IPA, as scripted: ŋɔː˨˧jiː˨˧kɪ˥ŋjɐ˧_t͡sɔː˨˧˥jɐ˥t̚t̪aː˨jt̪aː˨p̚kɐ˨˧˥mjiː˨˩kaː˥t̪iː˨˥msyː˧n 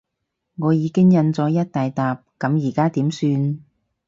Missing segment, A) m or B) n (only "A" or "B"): B